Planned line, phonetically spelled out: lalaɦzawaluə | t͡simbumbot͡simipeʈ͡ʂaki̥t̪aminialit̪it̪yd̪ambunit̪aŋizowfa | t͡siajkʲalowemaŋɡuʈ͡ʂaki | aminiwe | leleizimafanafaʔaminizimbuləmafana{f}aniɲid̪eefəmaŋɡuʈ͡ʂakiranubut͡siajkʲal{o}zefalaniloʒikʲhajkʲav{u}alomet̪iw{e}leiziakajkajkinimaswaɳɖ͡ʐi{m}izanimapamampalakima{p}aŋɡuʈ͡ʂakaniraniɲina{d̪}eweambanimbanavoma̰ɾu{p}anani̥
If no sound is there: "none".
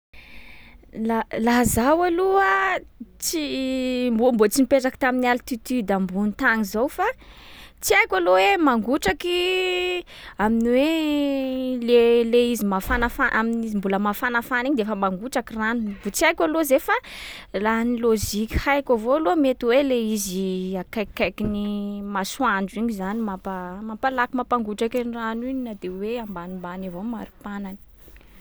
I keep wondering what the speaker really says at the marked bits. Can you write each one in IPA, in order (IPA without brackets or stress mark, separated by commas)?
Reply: f, o, o, e, ɲ, p, d̪, p